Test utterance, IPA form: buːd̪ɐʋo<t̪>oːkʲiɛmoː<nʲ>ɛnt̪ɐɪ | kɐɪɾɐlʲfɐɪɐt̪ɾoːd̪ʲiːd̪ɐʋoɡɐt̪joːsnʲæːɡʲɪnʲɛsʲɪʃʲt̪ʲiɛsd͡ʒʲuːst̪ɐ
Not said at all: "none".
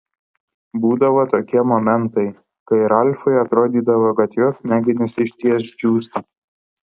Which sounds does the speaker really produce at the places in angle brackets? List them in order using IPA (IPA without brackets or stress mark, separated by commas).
t̪, mʲ